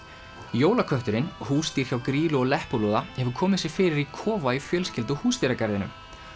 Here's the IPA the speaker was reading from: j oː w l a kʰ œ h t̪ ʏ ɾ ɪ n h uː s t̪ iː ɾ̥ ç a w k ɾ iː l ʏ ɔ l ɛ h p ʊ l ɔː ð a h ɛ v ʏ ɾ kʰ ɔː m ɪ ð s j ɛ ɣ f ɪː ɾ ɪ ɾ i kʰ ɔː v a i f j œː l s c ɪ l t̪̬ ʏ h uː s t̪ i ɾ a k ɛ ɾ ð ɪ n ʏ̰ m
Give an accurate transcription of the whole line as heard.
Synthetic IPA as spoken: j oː w l a kʰ œ h t̪ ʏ ɾ ɪ n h uː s t̪ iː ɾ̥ ç a w k ɾ iː l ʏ ɔ l ɛ h p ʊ l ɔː ð a h ɛ v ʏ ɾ kʰ ɔː m ɪ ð s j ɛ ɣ f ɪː ɾ ɪ ɾ i kʰ ɔː v a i f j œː l s c ɪ l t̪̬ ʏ h uː s t̪ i ɾ a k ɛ ɾ ð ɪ n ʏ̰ m

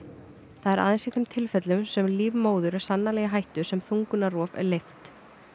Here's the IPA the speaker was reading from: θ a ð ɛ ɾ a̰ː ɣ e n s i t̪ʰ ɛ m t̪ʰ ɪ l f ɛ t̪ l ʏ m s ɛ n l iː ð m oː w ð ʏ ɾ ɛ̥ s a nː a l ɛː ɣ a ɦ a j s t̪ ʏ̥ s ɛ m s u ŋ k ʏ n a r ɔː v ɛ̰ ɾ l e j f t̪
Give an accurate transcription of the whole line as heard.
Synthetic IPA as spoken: θ a ð ɛ ɾ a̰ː ð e n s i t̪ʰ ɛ m t̪ʰ ɪ l f ɛ t̪ l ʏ m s ɛ m l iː v m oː w ð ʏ ɾ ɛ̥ s a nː a l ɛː ɣ a ɦ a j h t̪ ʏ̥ s ɛ m θ u ŋ k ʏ n a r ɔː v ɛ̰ ɾ l e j f t̪

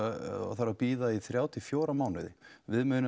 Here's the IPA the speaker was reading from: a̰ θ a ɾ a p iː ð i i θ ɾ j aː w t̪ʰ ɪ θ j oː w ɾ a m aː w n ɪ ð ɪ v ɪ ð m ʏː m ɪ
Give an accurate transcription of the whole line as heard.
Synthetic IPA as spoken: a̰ θ a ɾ a p iː ð a i θ ɾ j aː w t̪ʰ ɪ f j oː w ɾ a m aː w n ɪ ð ɪ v ɪ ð m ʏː n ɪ

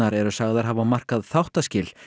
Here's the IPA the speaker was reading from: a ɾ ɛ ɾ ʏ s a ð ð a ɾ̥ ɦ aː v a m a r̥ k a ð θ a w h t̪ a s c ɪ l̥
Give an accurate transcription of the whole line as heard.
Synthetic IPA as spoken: a ɾ ɛ ɾ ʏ s a ɣ ð a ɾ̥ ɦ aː v a m a r̥ k a ð θ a w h t̪ a s c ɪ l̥

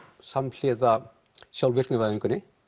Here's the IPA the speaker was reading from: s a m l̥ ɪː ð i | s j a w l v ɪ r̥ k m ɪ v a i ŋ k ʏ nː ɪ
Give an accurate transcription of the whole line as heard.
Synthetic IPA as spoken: s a m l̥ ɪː ð a | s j a w l v ɪ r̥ k n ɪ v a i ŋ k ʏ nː ɪ

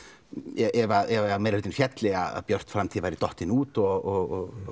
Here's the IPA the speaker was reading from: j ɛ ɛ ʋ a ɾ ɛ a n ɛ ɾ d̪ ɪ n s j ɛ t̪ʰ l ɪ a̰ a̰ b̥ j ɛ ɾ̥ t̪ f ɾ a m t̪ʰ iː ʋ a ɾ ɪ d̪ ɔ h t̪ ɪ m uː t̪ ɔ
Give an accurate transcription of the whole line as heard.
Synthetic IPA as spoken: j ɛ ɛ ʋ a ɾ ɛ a m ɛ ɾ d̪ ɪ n f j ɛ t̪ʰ l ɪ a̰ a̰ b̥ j œ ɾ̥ t̪ f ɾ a m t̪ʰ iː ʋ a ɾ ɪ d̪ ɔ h t̪ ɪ n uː t̪ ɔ

